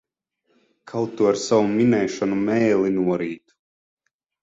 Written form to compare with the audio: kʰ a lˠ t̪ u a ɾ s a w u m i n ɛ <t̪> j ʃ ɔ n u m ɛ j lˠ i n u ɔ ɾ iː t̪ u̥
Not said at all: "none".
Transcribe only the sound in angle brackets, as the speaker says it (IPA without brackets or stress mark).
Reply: none